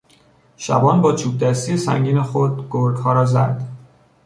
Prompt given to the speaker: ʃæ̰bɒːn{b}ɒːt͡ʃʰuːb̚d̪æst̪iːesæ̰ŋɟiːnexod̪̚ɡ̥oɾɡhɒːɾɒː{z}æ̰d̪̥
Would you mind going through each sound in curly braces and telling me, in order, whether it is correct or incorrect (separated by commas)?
correct, correct